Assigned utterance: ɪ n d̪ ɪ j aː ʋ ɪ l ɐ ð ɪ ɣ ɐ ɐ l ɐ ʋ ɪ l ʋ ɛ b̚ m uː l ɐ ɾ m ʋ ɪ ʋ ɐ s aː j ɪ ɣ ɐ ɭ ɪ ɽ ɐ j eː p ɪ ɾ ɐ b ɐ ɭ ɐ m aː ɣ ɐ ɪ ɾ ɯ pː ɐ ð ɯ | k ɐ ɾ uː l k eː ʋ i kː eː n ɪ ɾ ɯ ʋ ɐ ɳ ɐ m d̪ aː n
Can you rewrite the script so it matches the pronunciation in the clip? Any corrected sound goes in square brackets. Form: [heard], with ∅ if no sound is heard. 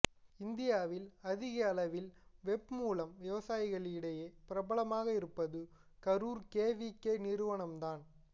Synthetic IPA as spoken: ɪ n d̪ ɪ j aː ʋ ɪ l ɐ ð ɪ ɣ ɐ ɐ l ɐ ʋ ɪ l ʋ ɛ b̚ m uː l ɐ [∅] m ʋ ɪ ʋ ɐ s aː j ɪ ɣ ɐ ɭ ɪ ɽ ɐ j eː p ɪ ɾ ɐ b ɐ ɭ ɐ m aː ɣ ɐ ɪ ɾ ɯ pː ɐ ð ɯ | k ɐ ɾ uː [ɾ] k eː ʋ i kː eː n ɪ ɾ ɯ ʋ ɐ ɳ ɐ m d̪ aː n